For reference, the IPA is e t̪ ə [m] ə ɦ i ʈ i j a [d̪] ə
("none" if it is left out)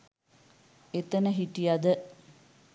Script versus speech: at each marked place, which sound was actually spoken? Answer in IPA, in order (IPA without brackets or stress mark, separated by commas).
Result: n, d̪